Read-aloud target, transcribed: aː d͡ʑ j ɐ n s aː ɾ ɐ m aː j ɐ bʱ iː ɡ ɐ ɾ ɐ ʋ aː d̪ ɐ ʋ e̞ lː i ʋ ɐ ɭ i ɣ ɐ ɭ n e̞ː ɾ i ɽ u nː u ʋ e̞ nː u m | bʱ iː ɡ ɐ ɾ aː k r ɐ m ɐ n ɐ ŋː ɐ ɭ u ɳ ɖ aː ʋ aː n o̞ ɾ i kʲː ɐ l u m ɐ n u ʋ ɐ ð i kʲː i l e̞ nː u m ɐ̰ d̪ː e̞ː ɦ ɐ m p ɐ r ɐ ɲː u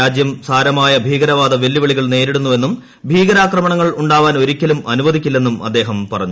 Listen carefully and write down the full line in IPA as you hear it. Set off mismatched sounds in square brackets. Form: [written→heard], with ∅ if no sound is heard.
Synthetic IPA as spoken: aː d͡ʑ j ɐ [n→m] s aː ɾ ɐ m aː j ɐ bʱ iː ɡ ɐ ɾ ɐ ʋ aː d̪ ɐ ʋ e̞ lː i ʋ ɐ ɭ i ɣ ɐ ɭ n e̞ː ɾ i ɽ u nː u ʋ e̞ nː u m | bʱ iː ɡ ɐ ɾ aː k r ɐ m ɐ [n→ɳ] ɐ ŋː ɐ ɭ u ɳ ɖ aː ʋ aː n o̞ ɾ i kʲː ɐ l u m ɐ n u ʋ ɐ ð i kʲː i [l→lː] e̞ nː u m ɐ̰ d̪ː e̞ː ɦ ɐ m p ɐ r ɐ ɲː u